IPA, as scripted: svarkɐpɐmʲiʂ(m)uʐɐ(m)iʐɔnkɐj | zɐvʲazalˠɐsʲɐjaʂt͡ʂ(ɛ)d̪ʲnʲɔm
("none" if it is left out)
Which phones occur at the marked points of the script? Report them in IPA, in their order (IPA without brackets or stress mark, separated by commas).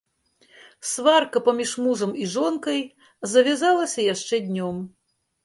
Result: m, m, ɛ